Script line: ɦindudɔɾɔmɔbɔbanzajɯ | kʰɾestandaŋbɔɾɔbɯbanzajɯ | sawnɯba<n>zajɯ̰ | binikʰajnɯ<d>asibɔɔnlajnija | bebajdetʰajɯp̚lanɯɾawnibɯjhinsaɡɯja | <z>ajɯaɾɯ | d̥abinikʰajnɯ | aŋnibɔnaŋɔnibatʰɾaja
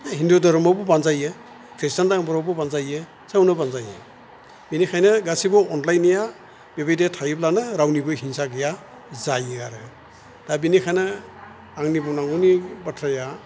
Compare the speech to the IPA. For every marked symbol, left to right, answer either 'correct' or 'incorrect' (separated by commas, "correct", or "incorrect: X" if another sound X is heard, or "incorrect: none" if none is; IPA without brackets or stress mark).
correct, incorrect: ɡ, correct